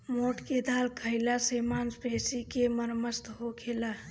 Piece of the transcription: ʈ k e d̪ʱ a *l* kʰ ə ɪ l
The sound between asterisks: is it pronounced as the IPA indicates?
yes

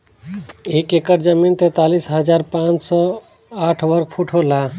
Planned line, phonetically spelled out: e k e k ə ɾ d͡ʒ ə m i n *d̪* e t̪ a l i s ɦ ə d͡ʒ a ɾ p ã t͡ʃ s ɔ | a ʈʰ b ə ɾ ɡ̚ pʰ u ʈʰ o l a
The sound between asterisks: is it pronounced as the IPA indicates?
no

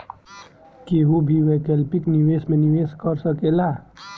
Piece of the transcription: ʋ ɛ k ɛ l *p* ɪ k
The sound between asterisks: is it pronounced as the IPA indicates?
yes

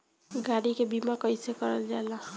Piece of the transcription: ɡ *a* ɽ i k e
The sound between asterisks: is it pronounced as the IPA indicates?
yes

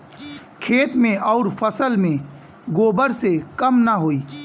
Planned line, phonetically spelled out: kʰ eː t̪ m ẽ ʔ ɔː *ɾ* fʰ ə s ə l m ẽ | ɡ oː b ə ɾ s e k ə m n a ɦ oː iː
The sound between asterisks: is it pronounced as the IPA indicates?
yes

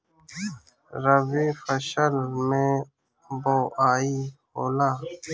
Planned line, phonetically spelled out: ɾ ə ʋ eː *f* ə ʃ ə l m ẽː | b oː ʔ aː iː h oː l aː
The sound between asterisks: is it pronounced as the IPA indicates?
yes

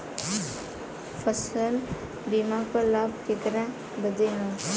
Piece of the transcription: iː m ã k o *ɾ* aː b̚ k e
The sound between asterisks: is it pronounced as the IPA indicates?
no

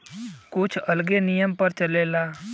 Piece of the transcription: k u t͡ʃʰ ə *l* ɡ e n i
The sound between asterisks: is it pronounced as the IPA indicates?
yes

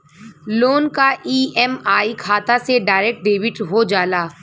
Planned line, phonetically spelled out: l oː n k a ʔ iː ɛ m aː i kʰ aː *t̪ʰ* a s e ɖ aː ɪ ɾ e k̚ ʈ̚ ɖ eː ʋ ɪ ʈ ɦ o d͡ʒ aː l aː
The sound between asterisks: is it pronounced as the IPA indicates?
no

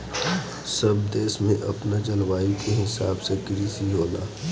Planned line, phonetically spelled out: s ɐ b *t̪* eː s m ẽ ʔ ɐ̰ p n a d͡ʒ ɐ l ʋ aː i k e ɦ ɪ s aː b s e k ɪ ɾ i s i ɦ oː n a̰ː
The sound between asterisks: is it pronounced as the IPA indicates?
no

